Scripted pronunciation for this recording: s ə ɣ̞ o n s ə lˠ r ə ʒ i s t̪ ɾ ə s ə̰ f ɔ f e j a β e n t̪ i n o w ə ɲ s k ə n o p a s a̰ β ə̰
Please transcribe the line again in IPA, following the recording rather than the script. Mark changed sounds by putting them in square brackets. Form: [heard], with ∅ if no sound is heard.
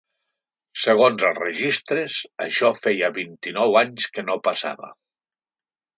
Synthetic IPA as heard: s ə ɣ̞ o n [z] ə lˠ r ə ʒ i s t̪ ɾ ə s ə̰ [ʃ] ɔ f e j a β [i] n t̪ i n [ɔ] w [a] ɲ s k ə n o p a s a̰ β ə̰